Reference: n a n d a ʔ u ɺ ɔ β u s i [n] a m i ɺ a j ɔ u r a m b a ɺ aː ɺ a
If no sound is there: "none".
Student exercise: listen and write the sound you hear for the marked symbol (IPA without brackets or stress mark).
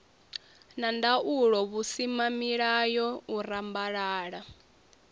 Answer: m